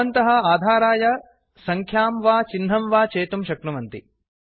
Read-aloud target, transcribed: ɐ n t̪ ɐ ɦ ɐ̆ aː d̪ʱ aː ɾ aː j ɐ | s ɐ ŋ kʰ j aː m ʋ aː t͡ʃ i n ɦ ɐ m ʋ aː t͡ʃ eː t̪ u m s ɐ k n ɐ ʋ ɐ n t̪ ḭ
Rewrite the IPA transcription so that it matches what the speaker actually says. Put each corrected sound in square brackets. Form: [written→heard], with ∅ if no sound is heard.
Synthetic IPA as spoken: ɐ n t̪ ɐ ɦ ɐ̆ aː d̪ʱ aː ɾ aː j ɐ | s ɐ ŋ kʰ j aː m ʋ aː t͡ʃ i n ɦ ɐ m ʋ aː t͡ʃ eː t̪ u m [s→ʃ] ɐ k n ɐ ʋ ɐ n t̪ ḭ